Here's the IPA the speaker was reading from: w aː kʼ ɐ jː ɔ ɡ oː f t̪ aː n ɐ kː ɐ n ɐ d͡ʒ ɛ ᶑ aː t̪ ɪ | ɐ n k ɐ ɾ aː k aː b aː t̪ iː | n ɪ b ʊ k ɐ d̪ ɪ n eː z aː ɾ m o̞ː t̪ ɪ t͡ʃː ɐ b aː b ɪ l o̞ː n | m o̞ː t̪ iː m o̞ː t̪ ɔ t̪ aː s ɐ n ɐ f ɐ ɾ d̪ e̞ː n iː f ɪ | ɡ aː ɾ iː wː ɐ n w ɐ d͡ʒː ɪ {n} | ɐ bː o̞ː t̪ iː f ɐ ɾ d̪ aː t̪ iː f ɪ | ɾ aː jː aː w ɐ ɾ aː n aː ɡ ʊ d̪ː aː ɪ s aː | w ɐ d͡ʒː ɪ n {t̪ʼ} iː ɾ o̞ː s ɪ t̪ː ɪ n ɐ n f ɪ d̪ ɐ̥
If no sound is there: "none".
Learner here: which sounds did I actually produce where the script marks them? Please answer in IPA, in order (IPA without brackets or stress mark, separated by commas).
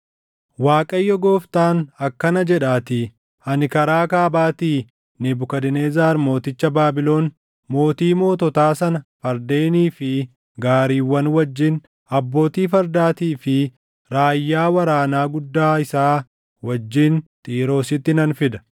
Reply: n, t̪ʼ